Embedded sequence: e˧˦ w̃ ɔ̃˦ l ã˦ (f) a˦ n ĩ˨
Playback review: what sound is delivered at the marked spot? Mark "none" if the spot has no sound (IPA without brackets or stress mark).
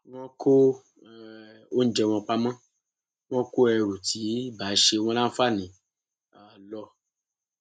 f